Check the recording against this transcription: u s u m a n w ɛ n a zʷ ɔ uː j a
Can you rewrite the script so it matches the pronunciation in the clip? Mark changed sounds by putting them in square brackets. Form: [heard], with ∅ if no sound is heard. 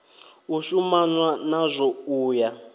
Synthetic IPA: u [ʃ] u m a n w [a] n a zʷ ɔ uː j a

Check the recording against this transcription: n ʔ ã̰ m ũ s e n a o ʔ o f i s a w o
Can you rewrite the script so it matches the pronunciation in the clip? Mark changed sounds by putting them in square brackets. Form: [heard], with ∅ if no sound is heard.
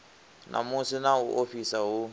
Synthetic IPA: n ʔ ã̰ m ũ s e n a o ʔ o f i s a w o

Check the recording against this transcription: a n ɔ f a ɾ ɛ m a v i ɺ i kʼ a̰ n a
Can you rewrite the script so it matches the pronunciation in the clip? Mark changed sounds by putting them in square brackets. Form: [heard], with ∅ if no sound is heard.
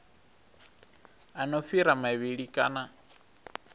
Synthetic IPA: a n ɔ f [i] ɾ [a] m a [β] i ɺ i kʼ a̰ n a

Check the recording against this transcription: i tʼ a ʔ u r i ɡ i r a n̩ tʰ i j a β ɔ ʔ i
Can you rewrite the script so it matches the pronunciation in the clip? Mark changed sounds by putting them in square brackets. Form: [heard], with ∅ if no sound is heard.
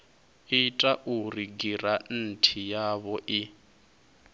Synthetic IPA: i tʼ a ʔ u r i ɡ i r a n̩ tʰ i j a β ɔ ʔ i

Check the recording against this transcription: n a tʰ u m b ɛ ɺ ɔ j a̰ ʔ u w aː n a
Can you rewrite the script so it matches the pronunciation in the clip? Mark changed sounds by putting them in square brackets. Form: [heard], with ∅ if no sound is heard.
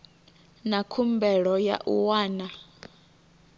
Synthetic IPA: n a [kʰ] u m b ɛ ɺ ɔ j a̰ ʔ u w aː n a

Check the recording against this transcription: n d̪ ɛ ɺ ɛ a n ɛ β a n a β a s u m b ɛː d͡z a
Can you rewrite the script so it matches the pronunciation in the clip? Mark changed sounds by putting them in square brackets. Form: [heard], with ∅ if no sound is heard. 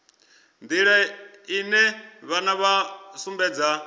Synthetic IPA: n d̪ [i] ɺ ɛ [i] n ɛ β a n a β a s u m b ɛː d͡z a

